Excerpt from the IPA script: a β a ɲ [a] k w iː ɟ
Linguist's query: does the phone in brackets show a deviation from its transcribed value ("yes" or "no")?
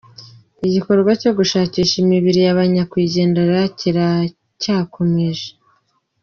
no